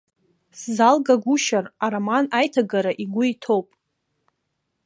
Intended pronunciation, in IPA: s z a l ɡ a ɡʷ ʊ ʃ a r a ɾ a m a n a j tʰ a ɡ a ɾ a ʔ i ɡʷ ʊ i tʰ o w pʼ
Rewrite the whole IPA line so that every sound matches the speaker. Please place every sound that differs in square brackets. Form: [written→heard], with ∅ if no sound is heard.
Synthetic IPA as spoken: s z a l ɡ a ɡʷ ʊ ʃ a r a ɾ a m a n a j tʰ a ɡ a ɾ a ʔ i ɡʷ ʊ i tʰ o w pʼ